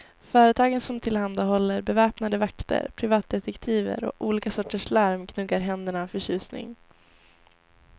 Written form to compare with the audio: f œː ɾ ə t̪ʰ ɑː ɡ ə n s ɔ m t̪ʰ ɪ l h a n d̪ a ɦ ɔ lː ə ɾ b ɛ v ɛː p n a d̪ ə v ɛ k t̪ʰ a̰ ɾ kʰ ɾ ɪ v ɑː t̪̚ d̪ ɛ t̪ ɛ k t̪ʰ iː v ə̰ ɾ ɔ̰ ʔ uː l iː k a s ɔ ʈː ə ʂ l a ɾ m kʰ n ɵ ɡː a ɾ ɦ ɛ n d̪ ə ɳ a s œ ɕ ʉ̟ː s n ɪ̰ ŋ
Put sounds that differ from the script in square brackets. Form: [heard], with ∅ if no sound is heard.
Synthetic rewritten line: f œː ɾ ə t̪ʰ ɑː ɡ ə n s ɔ m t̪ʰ ɪ l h a n d̪ a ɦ ɔ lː ə ɾ b ɛ v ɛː p n a d̪ ə v [a] k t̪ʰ [ə̰] ɾ [pʰ] ɾ ɪ v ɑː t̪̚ d̪ ɛ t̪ ɛ k t̪ʰ iː v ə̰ ɾ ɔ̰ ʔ uː l iː k a s ɔ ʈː ə ʂ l a ɾ m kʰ n ɵ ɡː a ɾ ɦ ɛ n d̪ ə ɳ a [f] œ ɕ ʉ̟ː s n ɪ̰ ŋ